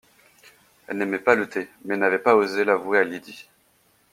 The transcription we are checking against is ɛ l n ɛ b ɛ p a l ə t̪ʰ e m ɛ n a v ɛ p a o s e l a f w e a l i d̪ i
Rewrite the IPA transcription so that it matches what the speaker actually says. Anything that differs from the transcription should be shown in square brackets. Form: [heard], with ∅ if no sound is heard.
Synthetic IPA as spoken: ɛ l n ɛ [m] ɛ p a l ə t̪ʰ e m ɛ n a v ɛ p a o [z] e l a [v] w e a l i d̪ i